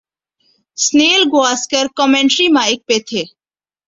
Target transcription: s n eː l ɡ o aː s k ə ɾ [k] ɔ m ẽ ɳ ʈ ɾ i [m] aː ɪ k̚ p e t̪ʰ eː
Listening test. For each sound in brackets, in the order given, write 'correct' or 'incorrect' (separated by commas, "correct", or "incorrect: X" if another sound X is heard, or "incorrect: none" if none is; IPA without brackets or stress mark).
correct, correct